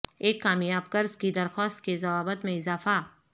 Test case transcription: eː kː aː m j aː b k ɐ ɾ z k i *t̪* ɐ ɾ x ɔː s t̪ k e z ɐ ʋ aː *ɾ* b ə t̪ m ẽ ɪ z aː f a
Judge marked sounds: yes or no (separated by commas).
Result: no, no